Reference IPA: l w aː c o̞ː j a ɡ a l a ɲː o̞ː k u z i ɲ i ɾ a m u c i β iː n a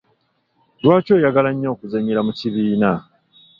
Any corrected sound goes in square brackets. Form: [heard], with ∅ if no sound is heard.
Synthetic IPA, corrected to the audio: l w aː c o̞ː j a ɡ a l a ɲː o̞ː k u z [a] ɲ i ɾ a m u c i β iː n a